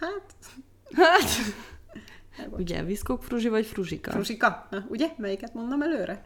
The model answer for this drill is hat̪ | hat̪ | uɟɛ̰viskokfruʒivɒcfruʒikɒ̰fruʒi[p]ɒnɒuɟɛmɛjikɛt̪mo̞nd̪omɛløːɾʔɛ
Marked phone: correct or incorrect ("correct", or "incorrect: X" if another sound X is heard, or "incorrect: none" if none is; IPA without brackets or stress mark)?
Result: incorrect: k